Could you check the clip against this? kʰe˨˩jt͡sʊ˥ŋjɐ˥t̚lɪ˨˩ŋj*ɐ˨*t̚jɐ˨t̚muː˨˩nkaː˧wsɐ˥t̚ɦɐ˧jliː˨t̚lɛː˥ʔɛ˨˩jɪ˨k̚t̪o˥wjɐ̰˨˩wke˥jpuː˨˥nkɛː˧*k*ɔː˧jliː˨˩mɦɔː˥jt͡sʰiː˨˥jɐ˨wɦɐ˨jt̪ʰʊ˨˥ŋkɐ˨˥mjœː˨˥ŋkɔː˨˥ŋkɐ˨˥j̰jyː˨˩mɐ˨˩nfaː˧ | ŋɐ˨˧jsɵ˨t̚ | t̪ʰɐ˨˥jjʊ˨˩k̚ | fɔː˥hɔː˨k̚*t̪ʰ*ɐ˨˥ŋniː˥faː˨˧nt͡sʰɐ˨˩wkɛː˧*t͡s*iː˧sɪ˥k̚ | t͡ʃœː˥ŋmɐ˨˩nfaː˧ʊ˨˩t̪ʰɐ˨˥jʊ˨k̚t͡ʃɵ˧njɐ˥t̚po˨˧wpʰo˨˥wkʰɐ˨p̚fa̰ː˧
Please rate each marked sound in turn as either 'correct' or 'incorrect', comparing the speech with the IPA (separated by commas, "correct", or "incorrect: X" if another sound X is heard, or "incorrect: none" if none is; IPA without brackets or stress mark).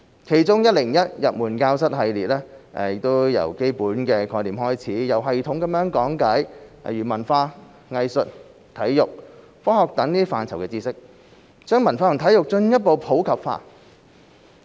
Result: incorrect: ɐ˥, incorrect: kʰ, incorrect: t̪, correct